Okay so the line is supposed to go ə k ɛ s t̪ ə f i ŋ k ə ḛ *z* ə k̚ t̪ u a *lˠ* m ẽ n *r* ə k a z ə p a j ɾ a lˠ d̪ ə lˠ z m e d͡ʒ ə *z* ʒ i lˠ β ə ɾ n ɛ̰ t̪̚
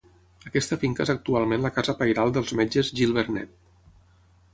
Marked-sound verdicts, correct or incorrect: correct, correct, incorrect: l, correct

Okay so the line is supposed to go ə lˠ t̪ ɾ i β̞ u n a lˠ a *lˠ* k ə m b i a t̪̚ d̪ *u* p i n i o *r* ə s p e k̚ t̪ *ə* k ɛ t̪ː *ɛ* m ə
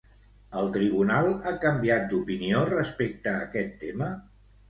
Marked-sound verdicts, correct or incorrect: incorrect: none, correct, correct, incorrect: əː, incorrect: e

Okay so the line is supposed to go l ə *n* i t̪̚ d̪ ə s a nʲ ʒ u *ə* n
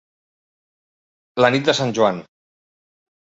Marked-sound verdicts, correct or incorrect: correct, incorrect: a

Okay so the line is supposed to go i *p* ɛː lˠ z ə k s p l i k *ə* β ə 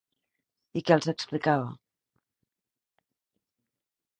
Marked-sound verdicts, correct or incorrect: incorrect: k, incorrect: a

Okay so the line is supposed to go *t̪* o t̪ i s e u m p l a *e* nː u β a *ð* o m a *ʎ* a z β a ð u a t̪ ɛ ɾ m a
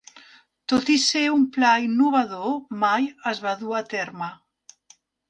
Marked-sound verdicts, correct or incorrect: correct, incorrect: i, correct, incorrect: j

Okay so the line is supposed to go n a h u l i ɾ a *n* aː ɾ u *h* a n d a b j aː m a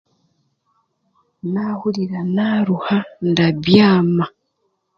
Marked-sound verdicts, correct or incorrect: correct, correct

